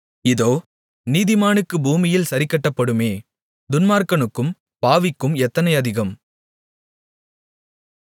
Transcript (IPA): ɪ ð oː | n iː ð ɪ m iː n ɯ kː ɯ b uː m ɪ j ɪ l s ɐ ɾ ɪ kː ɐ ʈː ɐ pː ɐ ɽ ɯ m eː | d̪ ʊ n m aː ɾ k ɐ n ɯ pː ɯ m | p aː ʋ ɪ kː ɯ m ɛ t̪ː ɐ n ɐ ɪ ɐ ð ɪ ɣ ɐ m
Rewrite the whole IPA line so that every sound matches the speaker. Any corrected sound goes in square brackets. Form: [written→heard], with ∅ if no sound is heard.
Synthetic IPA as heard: ɪ ð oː | n iː ð ɪ m [iː→aː] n ɯ kː ɯ b uː m ɪ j ɪ l s ɐ ɾ ɪ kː ɐ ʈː ɐ pː ɐ ɽ ɯ m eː | d̪ ʊ n m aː ɾ k ɐ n ɯ [pː→kː] ɯ m | p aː ʋ ɪ kː ɯ m ɛ t̪ː ɐ n ɐ ɪ ɐ ð ɪ ɣ ɐ m